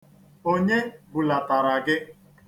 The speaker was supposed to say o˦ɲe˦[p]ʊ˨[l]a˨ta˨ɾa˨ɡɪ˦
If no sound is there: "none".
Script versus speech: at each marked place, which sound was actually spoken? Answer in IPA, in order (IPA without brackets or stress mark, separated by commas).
b, l